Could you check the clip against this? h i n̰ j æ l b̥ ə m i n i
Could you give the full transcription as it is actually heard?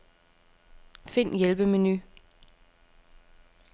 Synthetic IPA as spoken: f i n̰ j e l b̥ ə m e n y